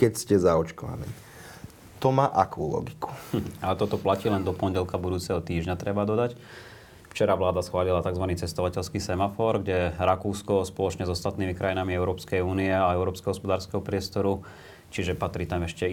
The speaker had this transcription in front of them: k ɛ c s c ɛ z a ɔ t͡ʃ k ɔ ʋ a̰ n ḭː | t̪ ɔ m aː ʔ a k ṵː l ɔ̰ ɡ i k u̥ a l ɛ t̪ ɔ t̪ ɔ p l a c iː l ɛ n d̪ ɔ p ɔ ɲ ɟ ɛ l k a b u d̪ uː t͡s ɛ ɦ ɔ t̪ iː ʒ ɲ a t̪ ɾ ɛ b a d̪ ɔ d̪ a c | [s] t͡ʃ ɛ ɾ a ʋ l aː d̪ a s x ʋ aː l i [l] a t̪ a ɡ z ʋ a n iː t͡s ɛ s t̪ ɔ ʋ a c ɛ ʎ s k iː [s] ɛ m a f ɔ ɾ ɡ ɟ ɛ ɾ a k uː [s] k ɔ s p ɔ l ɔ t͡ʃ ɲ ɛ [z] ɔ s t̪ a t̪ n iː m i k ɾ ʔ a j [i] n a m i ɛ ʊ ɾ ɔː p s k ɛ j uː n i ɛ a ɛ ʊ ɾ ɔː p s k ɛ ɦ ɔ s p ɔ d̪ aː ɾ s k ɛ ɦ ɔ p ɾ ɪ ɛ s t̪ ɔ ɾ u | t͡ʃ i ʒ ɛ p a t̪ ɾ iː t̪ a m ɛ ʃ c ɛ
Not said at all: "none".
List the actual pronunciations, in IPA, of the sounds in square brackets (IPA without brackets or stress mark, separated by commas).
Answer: f, l, s, s, z, i